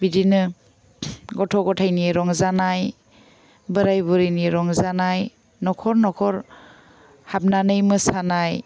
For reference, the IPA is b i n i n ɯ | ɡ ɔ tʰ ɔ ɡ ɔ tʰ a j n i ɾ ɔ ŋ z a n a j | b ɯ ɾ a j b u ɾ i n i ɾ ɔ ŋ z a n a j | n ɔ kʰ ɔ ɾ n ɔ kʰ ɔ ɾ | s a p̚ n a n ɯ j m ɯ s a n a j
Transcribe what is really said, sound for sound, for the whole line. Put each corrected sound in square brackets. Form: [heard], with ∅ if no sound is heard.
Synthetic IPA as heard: b i [d] i n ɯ | ɡ ɔ tʰ ɔ ɡ ɔ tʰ a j n i ɾ ɔ ŋ z a n a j | b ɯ ɾ a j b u ɾ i n i ɾ ɔ ŋ z a n a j | n ɔ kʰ ɔ ɾ n ɔ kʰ ɔ ɾ | [h] a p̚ n a n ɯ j m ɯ s a n a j

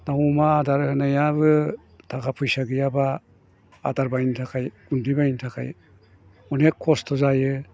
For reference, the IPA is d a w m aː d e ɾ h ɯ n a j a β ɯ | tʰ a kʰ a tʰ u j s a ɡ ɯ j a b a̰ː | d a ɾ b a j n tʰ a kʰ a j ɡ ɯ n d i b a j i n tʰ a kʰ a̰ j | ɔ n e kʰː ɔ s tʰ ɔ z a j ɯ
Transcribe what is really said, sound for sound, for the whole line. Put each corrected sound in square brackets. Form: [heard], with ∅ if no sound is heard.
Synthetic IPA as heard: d a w m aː d [a] ɾ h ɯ n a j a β ɯ | tʰ a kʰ a [pʰ] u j s a ɡ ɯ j a b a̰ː | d a ɾ b a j n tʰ a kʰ a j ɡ [u] n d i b a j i n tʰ a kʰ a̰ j | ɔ n e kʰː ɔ s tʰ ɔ z a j ɯ

